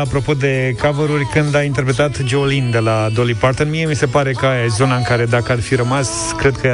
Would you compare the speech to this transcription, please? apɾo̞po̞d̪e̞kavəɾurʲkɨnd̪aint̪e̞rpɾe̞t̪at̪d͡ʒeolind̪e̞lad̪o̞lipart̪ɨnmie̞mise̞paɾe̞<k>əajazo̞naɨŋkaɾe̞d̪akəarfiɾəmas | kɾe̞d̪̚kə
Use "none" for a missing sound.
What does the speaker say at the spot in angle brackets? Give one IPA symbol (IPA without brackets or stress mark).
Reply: k